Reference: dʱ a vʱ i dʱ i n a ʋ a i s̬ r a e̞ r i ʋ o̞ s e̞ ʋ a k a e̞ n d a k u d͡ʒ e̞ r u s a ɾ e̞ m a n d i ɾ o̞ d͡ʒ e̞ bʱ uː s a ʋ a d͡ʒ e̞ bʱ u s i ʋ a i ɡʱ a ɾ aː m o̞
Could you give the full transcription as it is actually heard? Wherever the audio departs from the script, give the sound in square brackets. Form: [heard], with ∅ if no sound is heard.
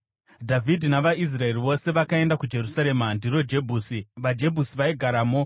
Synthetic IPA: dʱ a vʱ i dʱ i n a ʋ a i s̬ r a e̞ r i ʋ o̞ s e̞ ʋ a k a e̞ n d a k u d͡ʒ e̞ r u s a ɾ e̞ m a n d i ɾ o̞ d͡ʒ e̞ bʱ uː s [i] ʋ a d͡ʒ e̞ bʱ u s i ʋ a i ɡʱ a ɾ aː m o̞